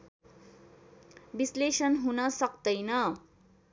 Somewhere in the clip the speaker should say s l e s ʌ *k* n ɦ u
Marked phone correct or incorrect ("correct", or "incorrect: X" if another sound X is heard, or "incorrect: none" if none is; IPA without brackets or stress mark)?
incorrect: none